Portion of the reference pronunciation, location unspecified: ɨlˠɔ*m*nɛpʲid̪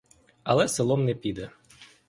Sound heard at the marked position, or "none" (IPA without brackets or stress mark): m